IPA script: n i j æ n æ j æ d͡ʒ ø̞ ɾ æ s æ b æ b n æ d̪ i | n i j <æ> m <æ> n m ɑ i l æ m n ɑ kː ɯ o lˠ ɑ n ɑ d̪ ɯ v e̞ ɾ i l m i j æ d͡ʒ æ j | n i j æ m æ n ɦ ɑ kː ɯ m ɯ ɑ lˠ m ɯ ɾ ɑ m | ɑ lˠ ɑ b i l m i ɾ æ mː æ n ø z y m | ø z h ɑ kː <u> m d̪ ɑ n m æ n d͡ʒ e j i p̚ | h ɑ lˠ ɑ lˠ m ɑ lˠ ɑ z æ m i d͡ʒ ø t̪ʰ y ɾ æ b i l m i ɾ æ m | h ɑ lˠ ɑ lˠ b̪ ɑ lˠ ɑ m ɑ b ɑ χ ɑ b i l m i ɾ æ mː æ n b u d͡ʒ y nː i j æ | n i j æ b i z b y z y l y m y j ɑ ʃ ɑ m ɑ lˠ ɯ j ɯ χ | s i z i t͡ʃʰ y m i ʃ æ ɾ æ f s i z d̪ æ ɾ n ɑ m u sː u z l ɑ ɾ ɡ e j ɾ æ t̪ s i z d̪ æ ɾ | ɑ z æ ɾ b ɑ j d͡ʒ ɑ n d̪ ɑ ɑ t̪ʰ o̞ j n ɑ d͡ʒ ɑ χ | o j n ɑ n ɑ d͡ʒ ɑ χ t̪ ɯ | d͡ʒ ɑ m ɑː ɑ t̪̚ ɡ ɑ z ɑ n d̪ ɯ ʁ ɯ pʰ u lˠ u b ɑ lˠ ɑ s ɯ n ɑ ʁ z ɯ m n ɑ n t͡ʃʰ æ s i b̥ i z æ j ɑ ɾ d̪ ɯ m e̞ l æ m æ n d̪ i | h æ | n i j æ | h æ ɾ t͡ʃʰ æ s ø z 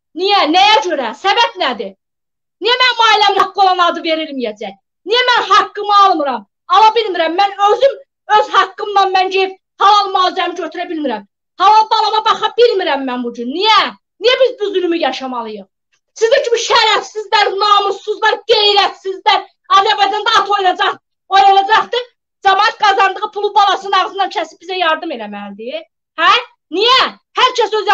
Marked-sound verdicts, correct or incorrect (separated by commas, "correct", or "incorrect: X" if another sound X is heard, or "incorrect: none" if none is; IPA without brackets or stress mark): correct, correct, incorrect: ɯ